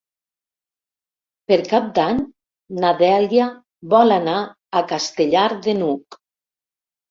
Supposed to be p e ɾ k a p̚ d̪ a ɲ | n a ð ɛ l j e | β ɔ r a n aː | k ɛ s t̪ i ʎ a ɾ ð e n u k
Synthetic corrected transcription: p e ɾ k a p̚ d̪ a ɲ | n a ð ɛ l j a | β ɔ l a n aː | k a s t̪ e ʎ a ɾ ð e n u k